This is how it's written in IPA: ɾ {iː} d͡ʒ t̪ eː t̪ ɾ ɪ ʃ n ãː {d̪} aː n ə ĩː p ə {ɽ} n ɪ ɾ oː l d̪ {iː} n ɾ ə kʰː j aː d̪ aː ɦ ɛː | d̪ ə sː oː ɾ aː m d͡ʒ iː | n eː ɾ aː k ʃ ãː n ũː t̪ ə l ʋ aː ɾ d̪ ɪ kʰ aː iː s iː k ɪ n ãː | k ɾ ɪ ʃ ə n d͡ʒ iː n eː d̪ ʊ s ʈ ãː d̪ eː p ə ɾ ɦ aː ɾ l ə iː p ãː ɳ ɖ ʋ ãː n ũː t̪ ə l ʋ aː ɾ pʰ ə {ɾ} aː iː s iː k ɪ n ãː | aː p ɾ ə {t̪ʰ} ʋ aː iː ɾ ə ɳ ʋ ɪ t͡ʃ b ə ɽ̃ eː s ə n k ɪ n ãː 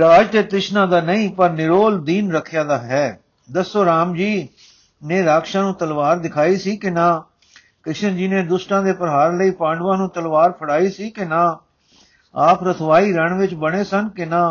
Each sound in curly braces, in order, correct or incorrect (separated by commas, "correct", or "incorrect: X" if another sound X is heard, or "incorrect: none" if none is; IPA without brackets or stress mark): incorrect: aː, correct, incorrect: ɾ, correct, incorrect: ɽ, correct